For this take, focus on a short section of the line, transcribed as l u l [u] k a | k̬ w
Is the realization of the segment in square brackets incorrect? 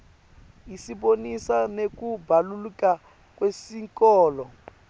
no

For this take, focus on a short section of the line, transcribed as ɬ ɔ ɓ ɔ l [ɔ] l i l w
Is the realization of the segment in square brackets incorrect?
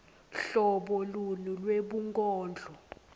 yes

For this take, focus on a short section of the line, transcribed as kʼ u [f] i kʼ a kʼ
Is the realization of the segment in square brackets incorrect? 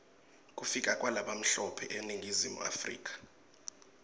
no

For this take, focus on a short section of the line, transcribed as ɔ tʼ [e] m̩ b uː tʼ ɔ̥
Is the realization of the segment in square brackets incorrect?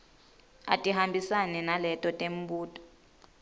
no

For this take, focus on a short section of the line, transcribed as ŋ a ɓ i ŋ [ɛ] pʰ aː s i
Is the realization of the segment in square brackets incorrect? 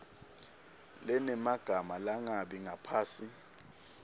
yes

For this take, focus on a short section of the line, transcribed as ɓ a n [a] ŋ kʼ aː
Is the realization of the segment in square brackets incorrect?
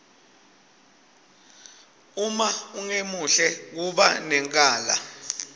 yes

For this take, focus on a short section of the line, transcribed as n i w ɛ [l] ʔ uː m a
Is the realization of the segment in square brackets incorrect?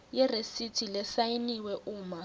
yes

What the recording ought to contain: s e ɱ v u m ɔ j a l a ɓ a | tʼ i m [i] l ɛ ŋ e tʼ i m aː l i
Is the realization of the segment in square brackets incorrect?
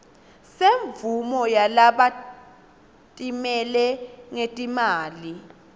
yes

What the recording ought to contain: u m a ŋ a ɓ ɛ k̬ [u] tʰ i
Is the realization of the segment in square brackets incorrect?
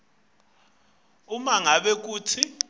yes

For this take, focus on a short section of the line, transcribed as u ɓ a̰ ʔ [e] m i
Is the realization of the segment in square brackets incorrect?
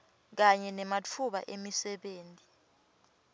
no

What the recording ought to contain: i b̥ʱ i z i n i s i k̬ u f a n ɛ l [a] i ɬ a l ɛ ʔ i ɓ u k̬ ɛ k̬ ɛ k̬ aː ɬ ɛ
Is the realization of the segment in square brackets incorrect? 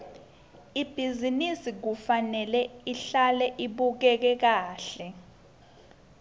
yes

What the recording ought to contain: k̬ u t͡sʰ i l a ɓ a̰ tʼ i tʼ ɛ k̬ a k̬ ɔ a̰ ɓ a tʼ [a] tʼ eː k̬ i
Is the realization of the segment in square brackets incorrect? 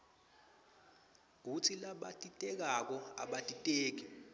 yes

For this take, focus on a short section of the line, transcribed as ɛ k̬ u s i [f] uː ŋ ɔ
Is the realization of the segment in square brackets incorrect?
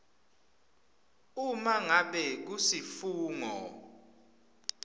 no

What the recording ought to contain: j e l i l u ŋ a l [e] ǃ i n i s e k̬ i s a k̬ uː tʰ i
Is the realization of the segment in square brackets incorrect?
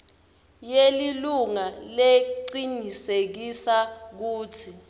no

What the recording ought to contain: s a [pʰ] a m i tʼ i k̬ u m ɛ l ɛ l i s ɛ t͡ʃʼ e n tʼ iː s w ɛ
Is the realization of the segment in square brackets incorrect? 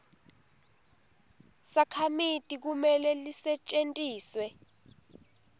yes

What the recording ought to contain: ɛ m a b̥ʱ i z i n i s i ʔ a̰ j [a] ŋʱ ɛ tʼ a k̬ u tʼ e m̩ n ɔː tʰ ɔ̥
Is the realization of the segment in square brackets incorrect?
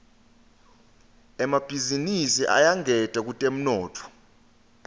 no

